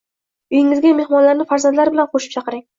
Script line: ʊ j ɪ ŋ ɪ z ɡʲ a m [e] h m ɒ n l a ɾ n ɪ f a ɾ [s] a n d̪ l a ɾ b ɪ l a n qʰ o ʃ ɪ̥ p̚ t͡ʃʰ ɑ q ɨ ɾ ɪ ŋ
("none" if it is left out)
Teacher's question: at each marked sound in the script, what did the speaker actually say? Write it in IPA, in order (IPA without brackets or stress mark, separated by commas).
e, z